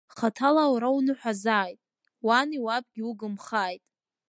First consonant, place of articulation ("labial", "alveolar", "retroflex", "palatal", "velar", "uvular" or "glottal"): uvular